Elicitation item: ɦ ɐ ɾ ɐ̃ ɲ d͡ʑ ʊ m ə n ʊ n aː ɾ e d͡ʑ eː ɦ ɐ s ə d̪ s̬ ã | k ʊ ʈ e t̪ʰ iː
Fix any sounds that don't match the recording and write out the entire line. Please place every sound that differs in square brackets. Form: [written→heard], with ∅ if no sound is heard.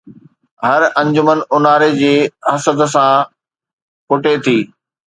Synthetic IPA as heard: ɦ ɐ ɾ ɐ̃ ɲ d͡ʑ ʊ m ə n ʊ n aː ɾ e d͡ʑ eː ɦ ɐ s ə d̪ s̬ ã | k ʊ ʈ e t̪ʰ iː